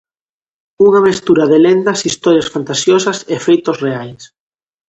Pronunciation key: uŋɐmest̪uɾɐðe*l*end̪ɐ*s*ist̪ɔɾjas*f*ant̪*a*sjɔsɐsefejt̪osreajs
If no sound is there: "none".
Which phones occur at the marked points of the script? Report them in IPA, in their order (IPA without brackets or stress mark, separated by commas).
l, s, f, a